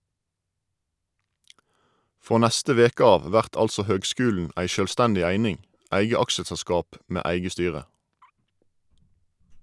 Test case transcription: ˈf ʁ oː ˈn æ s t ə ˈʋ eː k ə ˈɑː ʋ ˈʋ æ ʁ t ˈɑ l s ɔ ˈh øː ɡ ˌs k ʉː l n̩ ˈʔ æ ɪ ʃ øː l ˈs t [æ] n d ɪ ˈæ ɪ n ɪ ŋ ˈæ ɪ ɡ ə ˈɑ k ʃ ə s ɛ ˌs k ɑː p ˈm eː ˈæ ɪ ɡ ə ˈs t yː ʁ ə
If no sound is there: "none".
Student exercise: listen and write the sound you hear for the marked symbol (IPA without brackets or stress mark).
æ